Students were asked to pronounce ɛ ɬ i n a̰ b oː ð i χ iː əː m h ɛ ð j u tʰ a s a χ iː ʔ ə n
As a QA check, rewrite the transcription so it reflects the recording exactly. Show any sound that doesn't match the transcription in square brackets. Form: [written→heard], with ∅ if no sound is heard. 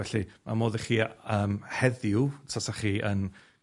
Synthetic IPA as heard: ɛ ɬ i [n→m] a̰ [b→m] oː ð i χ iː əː m h ɛ ð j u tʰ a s a χ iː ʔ ə n